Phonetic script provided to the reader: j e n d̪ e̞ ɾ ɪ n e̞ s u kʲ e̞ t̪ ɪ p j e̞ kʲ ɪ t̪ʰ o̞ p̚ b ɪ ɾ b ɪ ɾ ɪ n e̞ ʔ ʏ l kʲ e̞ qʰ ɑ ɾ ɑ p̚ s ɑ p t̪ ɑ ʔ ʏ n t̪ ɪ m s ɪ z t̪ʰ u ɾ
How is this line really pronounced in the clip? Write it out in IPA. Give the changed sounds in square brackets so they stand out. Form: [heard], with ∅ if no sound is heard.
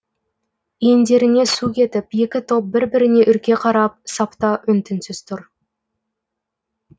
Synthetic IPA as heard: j e n d̪ e̞ ɾ ɪ n e̞ s u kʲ e̞ t̪ ɪ p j e̞ kʲ ɪ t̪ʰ o̞ p̚ b ɪ ɾ b ɪ ɾ ɪ n e̞ ʔ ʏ [ɾ] kʲ e̞ qʰ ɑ ɾ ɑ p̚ s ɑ p t̪ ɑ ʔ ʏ n t̪ ɪ [n] s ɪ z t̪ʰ [ʊ] ɾ